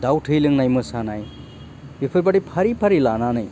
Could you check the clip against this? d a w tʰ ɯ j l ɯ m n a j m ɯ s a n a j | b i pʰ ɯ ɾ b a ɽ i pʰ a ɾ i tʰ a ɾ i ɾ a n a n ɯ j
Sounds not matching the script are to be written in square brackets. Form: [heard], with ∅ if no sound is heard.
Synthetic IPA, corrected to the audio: d a w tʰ ɯ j l ɯ [ŋ] n a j m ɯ s a n a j | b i pʰ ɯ ɾ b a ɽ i pʰ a ɾ i [pʰ] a ɾ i [l] a n a n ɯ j